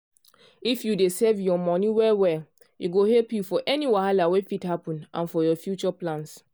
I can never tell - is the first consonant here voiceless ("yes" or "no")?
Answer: yes